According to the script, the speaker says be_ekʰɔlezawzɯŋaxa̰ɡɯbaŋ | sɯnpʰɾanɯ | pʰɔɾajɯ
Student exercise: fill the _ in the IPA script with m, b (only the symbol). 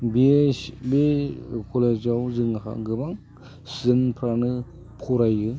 b